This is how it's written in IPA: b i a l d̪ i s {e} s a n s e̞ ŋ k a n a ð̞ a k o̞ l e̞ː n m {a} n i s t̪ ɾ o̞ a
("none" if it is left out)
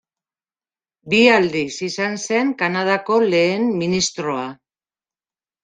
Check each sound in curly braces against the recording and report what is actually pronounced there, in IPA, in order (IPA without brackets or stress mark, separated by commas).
i, i